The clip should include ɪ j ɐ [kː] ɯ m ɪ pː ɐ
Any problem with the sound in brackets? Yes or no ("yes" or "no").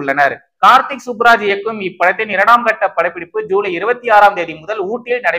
no